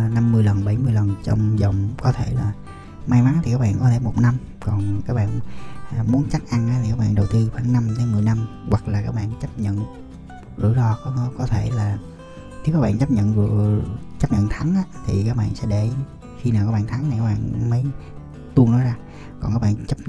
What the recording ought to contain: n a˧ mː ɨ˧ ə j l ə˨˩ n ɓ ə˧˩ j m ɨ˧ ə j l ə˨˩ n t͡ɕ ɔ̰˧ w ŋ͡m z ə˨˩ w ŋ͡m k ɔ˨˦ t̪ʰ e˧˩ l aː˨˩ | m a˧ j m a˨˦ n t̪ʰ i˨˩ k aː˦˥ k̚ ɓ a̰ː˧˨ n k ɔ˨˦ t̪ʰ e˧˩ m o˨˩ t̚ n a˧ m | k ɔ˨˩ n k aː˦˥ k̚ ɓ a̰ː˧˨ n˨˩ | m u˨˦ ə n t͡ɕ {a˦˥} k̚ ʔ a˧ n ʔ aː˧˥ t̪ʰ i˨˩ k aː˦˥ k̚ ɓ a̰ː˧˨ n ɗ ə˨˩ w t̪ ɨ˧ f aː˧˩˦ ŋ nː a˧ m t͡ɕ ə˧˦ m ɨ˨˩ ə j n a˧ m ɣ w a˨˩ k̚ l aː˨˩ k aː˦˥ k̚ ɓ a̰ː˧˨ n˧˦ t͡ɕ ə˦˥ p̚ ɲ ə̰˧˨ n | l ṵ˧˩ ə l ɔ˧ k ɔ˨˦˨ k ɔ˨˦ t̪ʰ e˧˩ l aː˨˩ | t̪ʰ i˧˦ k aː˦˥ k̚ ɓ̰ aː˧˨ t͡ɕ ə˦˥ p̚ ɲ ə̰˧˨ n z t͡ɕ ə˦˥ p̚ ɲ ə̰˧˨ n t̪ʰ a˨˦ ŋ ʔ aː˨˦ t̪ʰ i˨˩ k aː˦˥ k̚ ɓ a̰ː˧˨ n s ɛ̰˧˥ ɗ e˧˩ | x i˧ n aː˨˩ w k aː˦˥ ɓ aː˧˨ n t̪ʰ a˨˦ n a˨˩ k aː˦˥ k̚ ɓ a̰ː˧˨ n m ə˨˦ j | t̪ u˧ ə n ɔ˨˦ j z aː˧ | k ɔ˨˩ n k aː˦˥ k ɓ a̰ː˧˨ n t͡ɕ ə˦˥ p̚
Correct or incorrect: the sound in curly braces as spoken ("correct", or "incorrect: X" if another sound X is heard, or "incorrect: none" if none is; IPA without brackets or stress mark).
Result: correct